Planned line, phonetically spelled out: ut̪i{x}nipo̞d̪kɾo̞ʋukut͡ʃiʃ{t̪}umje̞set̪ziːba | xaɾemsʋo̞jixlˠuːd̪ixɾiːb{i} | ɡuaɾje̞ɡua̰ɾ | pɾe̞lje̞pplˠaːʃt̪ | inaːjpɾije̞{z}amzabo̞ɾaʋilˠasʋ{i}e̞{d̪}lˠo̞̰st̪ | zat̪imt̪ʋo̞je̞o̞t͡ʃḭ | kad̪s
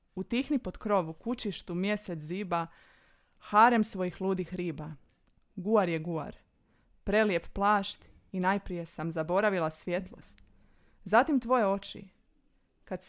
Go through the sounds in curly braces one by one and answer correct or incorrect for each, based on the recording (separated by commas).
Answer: correct, correct, incorrect, incorrect, incorrect, incorrect